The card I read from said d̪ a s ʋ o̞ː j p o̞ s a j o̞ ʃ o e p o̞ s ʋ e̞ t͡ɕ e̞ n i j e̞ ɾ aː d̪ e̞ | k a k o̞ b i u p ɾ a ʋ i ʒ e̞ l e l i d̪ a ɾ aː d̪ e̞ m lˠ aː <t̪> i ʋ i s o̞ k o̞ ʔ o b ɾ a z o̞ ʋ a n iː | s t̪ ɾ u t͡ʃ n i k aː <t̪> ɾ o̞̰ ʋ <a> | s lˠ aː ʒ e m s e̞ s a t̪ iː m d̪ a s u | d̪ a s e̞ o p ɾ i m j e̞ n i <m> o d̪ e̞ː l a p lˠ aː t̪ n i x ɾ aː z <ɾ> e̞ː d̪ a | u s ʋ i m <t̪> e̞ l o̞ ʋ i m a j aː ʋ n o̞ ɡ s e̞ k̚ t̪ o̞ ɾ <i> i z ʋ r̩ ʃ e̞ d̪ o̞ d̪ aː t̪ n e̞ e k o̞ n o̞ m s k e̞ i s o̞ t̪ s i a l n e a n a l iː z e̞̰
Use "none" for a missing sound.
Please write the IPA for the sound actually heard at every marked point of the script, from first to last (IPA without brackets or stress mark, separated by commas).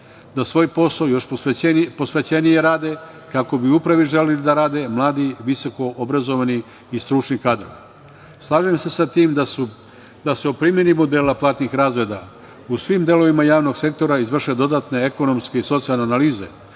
d̪, d̪, i, m, ɾ, d̪, a